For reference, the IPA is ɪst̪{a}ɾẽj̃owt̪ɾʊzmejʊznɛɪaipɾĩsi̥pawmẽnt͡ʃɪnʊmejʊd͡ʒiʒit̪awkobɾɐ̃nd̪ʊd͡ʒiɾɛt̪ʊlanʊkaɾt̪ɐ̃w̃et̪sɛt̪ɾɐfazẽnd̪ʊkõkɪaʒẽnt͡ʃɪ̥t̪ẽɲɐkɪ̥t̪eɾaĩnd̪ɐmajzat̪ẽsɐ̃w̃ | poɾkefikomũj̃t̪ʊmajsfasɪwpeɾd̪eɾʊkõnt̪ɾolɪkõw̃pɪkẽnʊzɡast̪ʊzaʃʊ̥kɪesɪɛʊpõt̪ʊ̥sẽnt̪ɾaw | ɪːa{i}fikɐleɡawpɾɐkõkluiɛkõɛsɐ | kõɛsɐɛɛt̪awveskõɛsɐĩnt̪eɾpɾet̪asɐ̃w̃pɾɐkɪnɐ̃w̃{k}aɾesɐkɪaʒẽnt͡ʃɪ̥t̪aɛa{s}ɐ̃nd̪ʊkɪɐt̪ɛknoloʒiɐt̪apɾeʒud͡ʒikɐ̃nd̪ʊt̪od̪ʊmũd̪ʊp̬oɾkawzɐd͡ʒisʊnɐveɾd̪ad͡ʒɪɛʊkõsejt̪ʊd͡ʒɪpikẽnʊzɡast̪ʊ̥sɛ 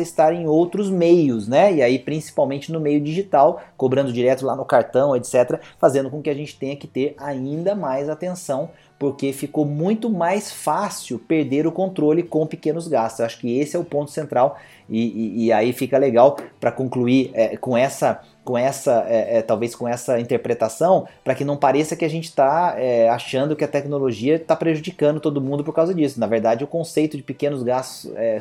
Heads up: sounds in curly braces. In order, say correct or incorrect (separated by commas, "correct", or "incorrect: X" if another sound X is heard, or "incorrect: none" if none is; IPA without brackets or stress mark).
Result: correct, correct, incorrect: p, incorrect: ʃ